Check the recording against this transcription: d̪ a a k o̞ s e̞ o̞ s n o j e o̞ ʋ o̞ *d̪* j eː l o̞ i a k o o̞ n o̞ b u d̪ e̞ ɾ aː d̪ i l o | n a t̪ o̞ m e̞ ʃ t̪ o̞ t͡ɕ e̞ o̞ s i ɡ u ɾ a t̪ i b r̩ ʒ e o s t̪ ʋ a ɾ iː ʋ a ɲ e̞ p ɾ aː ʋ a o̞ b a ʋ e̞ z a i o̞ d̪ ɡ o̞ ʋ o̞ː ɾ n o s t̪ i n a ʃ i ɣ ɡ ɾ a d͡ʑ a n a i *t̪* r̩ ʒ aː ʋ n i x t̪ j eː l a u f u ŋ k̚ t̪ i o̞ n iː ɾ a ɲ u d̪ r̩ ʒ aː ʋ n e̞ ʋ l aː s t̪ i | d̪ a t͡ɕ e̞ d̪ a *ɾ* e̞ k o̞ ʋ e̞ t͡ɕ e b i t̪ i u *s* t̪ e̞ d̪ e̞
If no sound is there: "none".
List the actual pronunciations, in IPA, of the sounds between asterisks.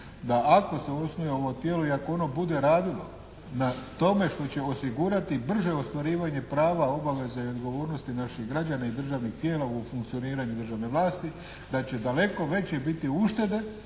t̪, d̪, l, ʃ

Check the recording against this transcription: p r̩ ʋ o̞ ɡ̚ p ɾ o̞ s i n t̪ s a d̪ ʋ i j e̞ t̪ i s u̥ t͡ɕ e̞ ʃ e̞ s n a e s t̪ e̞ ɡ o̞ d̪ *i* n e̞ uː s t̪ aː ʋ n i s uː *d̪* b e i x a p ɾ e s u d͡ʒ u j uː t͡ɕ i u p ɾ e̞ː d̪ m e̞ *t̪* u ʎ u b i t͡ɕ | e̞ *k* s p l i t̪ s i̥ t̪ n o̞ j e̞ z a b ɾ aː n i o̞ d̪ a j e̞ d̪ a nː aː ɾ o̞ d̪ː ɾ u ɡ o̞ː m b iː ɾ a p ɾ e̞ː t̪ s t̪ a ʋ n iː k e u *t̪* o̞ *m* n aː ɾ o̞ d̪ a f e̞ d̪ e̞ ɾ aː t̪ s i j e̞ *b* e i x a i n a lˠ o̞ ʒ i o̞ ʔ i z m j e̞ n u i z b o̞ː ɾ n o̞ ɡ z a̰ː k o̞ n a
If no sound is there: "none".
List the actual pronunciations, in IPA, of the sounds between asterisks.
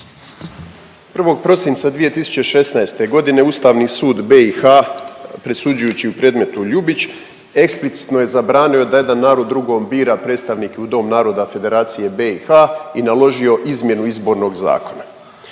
i, d̪, t̪, k, d̪, m, b

